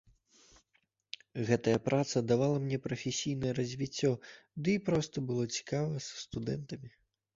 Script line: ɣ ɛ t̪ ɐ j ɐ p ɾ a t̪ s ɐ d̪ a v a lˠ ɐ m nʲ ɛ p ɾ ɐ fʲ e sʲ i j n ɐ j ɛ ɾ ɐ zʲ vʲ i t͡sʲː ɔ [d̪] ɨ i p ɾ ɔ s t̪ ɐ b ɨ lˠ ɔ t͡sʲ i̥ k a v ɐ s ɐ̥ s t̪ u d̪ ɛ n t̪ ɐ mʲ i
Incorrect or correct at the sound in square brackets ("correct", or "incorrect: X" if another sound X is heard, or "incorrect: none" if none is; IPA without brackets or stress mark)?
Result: correct